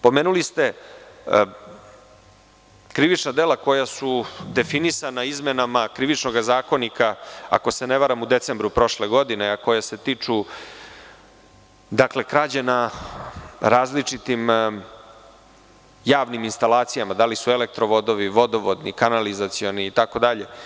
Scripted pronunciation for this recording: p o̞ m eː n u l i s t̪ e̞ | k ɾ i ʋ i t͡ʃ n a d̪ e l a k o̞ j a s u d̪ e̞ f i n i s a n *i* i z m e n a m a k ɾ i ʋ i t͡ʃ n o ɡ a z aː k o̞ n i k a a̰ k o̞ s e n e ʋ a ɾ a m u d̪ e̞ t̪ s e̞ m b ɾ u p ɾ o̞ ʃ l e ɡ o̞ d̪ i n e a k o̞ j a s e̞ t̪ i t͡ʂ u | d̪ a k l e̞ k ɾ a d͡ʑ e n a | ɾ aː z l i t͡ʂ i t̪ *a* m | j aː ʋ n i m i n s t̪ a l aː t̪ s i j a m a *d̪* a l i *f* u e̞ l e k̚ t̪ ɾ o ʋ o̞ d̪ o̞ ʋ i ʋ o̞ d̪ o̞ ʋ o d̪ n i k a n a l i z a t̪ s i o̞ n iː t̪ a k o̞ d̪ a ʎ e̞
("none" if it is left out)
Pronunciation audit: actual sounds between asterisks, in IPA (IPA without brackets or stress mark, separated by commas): a, i, d̪, s